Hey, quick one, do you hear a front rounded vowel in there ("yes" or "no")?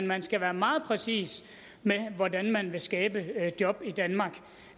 no